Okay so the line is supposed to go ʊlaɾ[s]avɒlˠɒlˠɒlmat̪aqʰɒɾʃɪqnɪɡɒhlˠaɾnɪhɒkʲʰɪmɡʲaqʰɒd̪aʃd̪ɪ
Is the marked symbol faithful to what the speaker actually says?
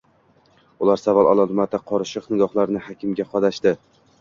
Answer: yes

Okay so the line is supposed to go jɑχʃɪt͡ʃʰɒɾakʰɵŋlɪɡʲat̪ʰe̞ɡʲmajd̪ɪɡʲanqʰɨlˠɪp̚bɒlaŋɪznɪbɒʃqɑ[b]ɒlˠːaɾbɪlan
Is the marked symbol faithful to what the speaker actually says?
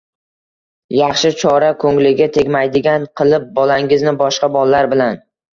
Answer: yes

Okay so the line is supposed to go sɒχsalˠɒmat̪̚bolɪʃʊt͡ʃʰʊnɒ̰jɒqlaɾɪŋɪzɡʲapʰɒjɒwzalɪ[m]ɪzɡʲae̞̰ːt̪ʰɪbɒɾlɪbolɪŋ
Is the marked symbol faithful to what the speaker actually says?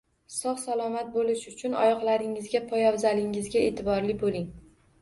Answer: no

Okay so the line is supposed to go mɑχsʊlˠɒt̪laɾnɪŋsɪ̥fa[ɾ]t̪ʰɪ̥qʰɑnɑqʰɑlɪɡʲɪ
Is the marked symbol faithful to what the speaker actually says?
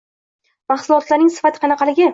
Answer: no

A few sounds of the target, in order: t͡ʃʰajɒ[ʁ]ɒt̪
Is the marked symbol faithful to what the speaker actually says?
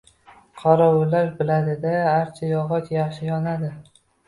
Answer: yes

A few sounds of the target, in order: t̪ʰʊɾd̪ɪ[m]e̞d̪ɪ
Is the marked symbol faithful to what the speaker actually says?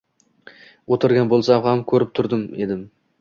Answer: yes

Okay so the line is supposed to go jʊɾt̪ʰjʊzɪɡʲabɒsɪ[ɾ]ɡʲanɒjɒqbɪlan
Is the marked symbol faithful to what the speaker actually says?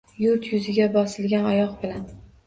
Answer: no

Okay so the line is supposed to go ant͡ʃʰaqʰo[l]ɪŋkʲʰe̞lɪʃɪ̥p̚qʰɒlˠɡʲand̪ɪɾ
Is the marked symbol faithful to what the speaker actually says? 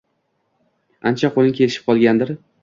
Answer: yes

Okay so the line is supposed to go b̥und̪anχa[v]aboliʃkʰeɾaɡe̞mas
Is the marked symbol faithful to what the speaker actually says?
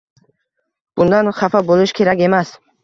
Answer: no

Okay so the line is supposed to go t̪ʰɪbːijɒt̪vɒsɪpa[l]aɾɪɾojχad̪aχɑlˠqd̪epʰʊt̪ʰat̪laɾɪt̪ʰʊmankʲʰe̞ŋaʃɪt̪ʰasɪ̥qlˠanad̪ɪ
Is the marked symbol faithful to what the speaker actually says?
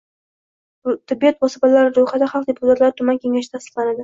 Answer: yes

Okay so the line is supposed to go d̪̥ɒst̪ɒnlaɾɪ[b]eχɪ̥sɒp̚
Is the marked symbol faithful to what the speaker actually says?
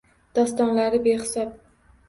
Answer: yes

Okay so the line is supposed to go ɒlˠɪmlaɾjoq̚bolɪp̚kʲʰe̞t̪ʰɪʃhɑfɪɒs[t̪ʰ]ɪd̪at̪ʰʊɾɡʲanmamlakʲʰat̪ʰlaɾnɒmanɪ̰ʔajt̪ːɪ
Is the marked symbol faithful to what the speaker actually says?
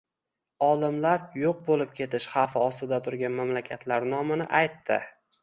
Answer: no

